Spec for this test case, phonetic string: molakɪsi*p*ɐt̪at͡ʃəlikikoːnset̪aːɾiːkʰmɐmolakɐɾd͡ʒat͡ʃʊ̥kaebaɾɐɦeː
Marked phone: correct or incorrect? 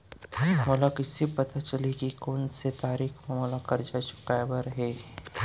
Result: correct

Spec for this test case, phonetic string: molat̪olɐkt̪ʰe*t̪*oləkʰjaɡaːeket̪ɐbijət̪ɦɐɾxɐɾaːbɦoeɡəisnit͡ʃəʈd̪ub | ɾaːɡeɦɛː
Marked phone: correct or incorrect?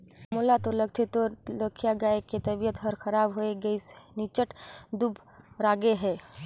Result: correct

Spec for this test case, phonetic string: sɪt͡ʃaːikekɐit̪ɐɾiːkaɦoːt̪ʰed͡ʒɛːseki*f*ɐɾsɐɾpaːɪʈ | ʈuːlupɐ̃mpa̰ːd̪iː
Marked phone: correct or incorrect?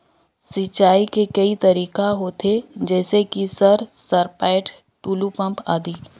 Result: incorrect: s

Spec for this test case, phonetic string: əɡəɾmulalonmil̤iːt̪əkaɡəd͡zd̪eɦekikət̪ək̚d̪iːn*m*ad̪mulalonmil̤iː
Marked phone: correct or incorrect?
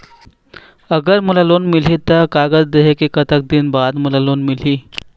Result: incorrect: b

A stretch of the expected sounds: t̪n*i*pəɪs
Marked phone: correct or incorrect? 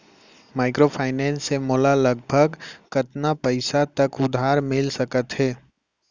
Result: incorrect: a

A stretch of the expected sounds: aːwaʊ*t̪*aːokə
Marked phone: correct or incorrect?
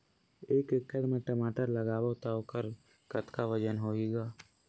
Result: correct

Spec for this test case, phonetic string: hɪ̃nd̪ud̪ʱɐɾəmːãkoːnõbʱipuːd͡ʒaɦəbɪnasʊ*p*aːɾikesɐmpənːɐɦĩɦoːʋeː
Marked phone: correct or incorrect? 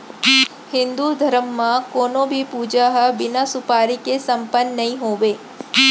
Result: correct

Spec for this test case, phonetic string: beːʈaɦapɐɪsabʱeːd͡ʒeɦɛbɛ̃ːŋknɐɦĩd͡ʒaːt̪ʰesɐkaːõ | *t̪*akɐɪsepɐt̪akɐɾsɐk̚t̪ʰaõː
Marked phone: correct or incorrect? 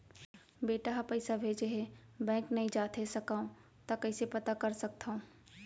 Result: correct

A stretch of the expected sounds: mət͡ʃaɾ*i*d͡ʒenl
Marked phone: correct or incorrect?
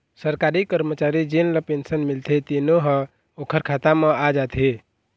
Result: correct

